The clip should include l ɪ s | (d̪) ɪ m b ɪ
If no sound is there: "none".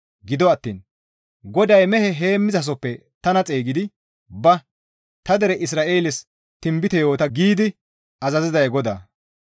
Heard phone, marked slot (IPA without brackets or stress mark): t̪